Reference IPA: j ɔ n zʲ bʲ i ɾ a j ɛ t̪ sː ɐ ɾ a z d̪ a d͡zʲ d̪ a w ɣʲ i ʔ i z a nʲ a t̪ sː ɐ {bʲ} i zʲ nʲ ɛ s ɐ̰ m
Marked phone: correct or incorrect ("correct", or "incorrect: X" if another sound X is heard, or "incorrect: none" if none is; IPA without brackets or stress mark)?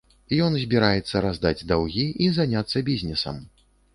correct